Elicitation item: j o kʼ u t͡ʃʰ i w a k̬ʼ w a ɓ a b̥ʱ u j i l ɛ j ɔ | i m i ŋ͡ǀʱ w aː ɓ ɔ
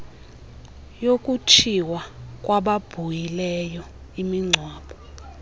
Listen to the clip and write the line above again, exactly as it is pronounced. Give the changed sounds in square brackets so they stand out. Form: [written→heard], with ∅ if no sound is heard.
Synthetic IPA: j o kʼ u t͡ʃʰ i w a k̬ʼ w a ɓ a b̥ʱ u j i l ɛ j ɔ | i m i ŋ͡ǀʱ w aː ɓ ɔ